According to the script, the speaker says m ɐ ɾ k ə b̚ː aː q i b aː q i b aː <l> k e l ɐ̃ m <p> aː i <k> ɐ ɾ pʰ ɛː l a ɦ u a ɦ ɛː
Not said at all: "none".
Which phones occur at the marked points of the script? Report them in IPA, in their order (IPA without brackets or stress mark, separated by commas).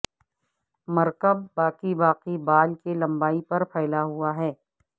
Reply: l, b, p